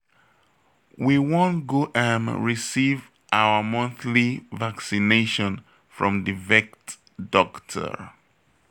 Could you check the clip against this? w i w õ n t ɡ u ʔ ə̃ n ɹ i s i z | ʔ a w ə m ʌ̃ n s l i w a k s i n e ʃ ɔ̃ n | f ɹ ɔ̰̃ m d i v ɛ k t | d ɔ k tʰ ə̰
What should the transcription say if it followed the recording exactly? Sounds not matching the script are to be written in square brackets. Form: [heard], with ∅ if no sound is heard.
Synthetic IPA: w i w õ n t ɡ [o] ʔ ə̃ n ɹ i s i [v] | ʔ a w ə m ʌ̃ n [θ] l i [v] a k s i n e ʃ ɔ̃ n | f ɹ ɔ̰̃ m d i v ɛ k t | d ɔ k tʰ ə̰